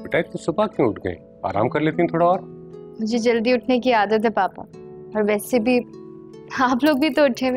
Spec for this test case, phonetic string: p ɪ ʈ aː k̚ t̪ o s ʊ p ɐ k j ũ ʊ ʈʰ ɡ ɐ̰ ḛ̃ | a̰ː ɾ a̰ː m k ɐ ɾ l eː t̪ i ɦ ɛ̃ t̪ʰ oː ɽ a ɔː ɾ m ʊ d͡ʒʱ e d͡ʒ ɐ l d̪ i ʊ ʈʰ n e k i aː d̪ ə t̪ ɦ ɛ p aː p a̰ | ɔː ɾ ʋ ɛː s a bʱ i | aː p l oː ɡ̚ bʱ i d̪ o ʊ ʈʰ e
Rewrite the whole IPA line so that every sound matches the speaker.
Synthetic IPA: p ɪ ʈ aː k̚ t̪ o s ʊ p a k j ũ ʊ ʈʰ ɡ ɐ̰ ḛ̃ | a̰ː ɾ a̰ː m k ɐ ɾ l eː t̪ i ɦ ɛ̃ t̪ʰ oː ɽ a ɔː ɾ m ʊ d͡ʒʱ e d͡ʒ ɐ l d̪ i ʊ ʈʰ n e k i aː d̪ ə t̪ ɦ ɛ p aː p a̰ | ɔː ɾ ʋ ɛː s e bʱ i | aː p l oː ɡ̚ bʱ i t̪ o ʊ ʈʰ e